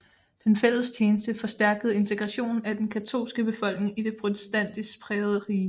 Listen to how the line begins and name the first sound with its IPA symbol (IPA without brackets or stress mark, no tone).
d̥